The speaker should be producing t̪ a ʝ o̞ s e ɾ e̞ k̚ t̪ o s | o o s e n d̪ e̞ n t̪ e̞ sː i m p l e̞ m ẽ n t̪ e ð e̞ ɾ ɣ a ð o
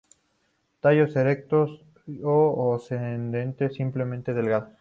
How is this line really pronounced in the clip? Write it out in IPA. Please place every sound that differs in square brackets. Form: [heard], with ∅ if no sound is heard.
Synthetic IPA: t̪ a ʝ o̞ s e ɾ e̞ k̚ t̪ o s | o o s e n d̪ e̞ n t̪ e̞ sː i m p l e̞ m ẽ n t̪ e ð e̞ [l] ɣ a ð o